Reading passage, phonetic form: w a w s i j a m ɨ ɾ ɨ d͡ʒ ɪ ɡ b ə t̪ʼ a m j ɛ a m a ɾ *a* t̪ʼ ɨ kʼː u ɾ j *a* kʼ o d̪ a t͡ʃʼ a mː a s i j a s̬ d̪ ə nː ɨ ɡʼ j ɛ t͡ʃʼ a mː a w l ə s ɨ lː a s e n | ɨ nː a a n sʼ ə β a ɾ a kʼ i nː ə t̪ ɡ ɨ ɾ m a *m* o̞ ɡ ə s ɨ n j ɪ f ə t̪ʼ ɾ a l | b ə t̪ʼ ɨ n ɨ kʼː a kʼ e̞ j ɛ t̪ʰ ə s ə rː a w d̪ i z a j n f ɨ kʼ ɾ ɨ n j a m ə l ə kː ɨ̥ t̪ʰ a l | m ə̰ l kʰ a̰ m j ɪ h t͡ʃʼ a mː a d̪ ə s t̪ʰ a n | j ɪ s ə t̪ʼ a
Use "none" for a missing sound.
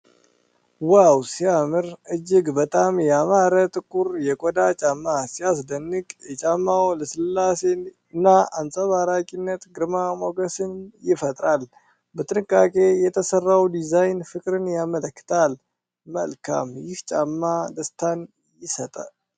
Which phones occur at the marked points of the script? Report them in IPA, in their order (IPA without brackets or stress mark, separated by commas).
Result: ə, ɛ, m